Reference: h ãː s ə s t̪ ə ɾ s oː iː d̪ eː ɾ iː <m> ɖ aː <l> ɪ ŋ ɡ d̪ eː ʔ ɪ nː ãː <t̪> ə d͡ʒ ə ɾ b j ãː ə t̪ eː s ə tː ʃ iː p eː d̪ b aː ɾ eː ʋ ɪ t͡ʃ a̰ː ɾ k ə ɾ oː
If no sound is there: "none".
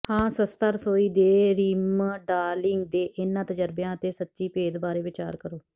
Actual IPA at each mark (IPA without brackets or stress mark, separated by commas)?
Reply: m, l, t̪